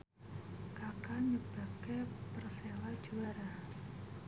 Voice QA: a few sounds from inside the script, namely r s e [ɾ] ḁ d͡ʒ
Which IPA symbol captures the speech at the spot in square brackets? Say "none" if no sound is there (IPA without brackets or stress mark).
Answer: l